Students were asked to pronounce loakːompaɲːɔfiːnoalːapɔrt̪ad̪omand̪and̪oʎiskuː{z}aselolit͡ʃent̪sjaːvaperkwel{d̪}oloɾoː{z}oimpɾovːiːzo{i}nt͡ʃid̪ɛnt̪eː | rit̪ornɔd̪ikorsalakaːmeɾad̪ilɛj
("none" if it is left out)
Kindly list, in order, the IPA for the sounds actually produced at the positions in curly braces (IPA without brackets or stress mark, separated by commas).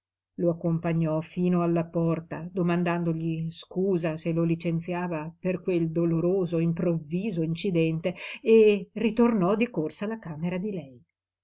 z, d̪, z, i